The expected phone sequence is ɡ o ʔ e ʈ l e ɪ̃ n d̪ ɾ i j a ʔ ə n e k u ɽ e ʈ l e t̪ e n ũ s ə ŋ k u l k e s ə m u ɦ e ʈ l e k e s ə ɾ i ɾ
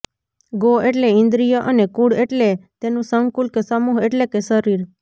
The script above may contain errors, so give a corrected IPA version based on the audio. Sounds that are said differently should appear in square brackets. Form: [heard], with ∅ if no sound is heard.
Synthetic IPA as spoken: ɡ o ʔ e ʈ l e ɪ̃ n d̪ ɾ i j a ʔ ə n e k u ɽ e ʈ l e t̪ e n ũ s ə ŋ k u l k e s ə m u ɦ e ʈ l e k e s ə ɾ i ɾ